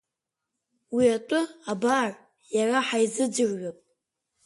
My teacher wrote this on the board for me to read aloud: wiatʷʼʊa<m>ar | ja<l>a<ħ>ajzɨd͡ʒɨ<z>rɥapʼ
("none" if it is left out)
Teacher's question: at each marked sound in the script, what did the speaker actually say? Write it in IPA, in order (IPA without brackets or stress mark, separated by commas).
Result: b, r, ħ, none